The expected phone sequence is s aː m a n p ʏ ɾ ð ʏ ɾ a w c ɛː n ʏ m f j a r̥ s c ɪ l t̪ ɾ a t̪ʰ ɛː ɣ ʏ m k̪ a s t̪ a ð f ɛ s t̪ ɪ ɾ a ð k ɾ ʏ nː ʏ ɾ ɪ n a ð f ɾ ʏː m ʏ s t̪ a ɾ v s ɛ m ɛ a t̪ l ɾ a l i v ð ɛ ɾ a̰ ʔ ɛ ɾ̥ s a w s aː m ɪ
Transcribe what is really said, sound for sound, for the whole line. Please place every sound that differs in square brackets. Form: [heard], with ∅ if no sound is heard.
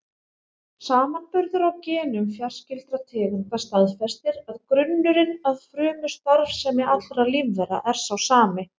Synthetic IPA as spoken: s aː m a n p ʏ ɾ ð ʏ ɾ a w c ɛː n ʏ m f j a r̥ s c ɪ l t̪ ɾ a t̪ʰ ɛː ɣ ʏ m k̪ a s t̪ a ð f ɛ s t̪ ɪ ɾ a ð k ɾ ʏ nː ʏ ɾ ɪ n a ð f ɾ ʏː m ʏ s t̪ a ɾ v s ɛ m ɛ a t̪ l ɾ a l i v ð ɛ ɾ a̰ ʔ ɛ ɾ̥ s a w s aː m ɪ